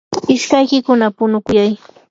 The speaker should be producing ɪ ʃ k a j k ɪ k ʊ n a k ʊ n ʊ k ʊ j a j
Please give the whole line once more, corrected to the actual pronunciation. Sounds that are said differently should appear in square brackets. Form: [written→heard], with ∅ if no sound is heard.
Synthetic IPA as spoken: ɪ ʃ k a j k ɪ k ʊ n a [k→p] ʊ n ʊ k ʊ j a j